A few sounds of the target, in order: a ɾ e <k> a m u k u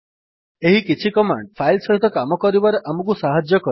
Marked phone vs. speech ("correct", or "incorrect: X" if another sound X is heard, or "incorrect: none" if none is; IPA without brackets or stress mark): incorrect: ʔ